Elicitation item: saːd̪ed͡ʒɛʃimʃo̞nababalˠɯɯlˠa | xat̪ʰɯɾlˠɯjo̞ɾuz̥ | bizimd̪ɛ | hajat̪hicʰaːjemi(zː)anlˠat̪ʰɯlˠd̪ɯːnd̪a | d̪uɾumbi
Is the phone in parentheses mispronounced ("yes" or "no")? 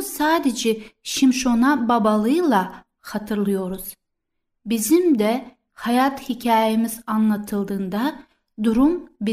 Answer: yes